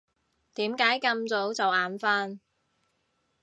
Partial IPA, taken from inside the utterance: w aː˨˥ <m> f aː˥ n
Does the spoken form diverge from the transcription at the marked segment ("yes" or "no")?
yes